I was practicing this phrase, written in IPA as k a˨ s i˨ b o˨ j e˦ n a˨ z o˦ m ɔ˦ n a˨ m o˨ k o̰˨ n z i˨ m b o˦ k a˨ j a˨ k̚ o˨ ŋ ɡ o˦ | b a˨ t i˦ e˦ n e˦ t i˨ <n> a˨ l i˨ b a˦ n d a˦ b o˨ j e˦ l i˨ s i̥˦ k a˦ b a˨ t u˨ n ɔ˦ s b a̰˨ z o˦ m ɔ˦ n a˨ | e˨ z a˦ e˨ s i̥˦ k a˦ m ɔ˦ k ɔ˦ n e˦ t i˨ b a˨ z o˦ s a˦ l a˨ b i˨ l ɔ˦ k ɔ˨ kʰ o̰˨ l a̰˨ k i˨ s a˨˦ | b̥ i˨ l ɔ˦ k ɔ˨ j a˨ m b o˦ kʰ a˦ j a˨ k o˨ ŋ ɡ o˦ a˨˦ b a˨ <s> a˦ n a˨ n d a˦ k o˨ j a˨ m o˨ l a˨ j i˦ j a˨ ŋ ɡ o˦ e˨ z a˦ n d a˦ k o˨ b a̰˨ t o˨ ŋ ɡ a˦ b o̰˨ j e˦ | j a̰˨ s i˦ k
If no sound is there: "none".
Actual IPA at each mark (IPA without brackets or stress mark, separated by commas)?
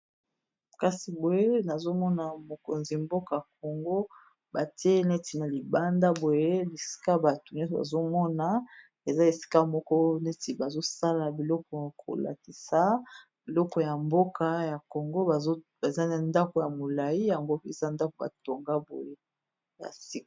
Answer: n, z